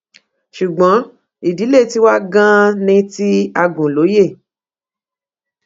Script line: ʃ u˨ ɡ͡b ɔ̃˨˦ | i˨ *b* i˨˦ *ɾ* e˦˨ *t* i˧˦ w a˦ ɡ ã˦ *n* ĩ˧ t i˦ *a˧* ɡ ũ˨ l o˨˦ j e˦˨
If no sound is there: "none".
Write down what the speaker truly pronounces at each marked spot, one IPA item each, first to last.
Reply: d, l, t, n, a˧

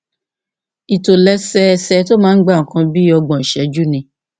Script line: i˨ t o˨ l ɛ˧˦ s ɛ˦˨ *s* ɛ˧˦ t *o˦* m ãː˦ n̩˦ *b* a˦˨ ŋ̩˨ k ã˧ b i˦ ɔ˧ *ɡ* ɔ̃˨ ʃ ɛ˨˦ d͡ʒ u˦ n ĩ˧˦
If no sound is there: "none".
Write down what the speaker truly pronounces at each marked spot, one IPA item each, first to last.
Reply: s, o˦, ɡ͡b, ɡ͡b

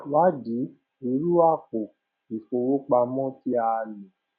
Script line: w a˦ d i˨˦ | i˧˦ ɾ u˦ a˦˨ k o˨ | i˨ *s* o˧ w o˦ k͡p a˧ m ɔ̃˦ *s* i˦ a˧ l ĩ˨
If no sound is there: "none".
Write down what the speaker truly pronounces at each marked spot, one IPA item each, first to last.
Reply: f, t

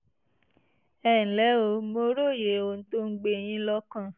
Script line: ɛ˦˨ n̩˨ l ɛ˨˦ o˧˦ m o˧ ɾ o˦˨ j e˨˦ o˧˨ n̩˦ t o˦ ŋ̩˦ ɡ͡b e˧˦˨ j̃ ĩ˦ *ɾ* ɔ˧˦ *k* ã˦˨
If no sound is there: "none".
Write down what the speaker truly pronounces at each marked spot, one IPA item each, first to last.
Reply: l, k

